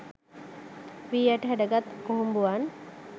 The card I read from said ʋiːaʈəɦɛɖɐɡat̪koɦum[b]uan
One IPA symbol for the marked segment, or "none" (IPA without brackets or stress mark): b